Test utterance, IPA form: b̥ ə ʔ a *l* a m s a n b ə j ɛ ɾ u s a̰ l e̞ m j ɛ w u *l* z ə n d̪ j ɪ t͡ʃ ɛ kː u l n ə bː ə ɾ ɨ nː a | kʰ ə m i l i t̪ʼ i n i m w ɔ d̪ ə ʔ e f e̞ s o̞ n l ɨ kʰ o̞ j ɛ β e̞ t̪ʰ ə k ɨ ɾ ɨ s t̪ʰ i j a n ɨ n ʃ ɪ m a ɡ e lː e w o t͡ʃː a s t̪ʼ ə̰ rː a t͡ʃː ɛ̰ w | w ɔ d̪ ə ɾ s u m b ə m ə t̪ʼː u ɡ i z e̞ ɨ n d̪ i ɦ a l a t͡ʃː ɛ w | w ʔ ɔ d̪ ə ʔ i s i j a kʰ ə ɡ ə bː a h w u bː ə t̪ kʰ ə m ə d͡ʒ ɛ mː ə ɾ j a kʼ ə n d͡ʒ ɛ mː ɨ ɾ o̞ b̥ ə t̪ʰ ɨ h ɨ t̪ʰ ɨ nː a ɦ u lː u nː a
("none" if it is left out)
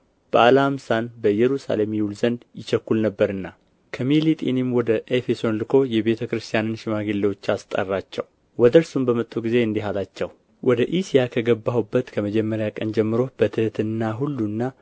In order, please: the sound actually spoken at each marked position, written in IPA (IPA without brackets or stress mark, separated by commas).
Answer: l, l